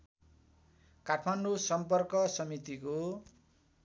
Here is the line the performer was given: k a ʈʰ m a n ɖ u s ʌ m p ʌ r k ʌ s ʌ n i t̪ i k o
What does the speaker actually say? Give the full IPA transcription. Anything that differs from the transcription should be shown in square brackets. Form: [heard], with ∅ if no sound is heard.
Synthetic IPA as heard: k a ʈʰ m a n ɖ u s ʌ m p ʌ r k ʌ s ʌ [m] i t̪ i k o